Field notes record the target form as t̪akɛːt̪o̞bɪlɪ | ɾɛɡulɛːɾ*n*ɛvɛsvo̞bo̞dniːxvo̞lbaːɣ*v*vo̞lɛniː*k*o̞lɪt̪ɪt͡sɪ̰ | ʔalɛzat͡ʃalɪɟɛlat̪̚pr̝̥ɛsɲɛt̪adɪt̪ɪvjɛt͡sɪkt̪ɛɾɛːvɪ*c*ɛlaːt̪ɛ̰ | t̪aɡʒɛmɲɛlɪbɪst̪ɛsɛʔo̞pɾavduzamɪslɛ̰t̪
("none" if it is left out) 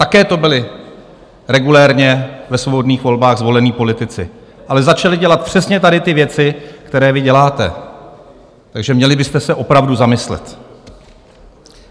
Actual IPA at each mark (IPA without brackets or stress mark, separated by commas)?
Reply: ɲ, z, p, ɟ